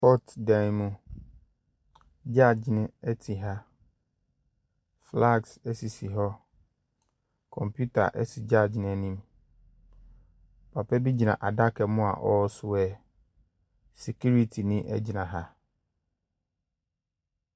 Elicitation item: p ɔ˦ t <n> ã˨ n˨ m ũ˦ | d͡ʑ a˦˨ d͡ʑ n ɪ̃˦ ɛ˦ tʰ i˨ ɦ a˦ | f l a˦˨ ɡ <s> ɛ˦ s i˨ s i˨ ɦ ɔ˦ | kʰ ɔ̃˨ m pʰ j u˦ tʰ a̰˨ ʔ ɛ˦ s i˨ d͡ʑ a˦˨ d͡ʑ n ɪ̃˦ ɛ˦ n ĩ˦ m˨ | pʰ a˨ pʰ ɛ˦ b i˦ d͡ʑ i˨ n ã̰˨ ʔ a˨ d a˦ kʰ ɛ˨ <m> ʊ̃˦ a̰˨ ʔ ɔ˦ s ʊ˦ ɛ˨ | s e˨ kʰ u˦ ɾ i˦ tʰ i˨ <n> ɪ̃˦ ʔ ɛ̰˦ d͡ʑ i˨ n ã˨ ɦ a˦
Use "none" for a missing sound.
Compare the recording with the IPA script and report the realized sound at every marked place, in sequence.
d, s, m, n

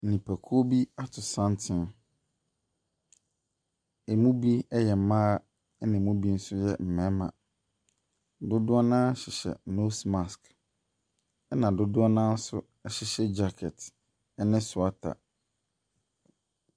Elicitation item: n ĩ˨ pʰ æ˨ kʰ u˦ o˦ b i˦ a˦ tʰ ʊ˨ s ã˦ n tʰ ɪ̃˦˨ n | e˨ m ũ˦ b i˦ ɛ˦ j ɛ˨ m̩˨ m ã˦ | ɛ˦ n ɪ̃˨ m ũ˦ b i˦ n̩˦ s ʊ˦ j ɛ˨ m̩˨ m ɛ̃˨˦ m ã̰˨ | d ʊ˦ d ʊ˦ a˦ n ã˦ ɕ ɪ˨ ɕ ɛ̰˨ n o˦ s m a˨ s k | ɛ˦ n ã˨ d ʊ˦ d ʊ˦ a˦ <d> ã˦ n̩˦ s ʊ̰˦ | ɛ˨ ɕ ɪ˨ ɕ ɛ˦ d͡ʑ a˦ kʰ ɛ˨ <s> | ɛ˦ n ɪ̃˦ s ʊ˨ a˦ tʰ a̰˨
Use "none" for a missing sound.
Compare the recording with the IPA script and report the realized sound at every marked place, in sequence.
n, t

